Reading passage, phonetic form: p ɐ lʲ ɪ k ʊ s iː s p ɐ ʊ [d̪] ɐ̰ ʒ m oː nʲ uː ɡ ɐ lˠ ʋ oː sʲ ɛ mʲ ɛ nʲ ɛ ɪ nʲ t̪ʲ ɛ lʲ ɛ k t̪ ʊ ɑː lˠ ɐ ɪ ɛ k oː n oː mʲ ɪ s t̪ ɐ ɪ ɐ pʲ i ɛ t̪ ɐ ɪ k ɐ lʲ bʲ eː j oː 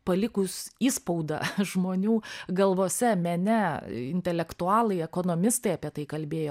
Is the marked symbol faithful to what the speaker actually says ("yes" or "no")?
yes